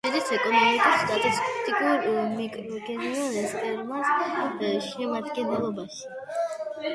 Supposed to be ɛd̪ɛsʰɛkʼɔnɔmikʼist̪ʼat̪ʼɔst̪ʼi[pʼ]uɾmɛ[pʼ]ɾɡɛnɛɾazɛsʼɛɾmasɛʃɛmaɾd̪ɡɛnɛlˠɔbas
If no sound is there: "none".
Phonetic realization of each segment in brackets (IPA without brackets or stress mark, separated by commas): kʼ, kʼ